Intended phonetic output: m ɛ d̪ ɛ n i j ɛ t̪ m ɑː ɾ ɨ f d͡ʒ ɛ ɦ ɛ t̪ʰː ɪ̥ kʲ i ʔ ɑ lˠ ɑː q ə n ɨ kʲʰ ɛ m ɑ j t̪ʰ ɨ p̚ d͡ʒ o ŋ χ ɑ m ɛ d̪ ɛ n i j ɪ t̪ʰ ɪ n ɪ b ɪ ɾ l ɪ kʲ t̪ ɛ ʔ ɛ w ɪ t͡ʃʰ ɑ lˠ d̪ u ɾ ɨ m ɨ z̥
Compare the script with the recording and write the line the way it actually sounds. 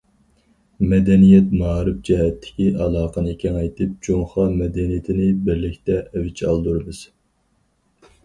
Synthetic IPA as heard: m ɛ d̪ ɛ n i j ɛ t̪ m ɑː ɾ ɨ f d͡ʒ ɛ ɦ ɛ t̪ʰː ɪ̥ kʲ i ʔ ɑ lˠ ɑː q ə n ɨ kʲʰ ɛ ŋ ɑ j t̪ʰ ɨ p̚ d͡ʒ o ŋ χ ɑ m ɛ d̪ ɛ n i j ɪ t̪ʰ ɪ n ɪ b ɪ ɾ l ɪ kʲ t̪ ɛ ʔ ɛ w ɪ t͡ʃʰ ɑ lˠ d̪ u ɾ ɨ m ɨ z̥